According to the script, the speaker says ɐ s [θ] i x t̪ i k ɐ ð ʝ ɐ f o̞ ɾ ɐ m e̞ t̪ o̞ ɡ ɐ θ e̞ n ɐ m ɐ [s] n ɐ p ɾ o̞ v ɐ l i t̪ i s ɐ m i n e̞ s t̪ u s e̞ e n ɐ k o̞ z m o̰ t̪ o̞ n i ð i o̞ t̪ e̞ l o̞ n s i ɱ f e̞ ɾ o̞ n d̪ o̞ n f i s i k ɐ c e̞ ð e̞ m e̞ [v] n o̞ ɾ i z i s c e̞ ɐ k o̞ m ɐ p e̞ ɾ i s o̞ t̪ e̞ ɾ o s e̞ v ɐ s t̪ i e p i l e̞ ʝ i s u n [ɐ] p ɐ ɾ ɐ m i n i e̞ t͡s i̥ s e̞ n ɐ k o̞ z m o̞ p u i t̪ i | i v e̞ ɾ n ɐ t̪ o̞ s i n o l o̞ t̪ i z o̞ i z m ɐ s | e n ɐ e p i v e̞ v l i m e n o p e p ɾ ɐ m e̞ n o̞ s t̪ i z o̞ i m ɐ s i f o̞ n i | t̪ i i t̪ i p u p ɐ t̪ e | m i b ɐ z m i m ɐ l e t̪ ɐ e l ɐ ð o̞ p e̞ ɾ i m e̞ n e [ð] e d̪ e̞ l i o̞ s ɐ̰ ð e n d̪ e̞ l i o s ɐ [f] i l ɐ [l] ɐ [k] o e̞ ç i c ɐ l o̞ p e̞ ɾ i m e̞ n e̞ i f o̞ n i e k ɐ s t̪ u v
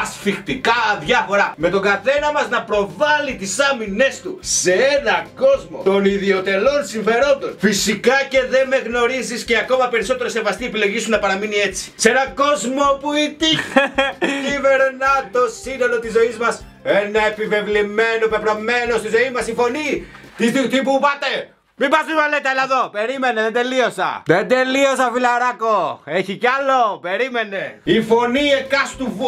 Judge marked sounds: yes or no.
no, no, no, yes, yes, yes, no, yes

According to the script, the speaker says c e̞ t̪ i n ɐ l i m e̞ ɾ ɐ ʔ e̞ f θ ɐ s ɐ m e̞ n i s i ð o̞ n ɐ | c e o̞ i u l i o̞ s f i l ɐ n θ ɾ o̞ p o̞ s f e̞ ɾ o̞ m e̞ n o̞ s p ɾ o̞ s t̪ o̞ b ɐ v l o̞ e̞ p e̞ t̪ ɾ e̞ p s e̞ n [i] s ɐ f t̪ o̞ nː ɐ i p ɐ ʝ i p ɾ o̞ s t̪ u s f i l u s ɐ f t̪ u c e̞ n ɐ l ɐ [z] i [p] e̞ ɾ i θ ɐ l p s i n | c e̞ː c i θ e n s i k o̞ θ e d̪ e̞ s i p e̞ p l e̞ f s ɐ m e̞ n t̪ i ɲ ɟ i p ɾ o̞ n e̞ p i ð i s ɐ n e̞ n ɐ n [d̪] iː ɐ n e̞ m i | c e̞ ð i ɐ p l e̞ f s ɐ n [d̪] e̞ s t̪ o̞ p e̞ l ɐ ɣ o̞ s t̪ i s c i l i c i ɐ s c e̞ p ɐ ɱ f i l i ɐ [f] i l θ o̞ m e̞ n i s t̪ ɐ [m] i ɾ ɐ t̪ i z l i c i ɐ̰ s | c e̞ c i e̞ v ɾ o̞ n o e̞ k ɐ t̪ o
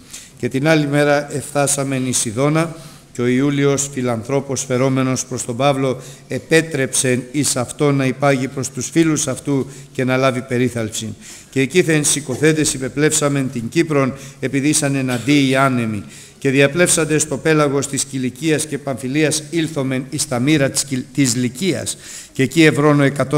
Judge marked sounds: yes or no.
yes, no, yes, yes, yes, no, yes

